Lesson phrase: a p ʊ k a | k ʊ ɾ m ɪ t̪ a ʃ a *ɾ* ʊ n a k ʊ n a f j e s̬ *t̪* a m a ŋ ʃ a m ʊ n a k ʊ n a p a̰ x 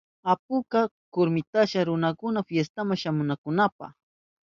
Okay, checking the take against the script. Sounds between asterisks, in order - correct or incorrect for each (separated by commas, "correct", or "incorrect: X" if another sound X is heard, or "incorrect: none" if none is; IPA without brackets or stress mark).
correct, correct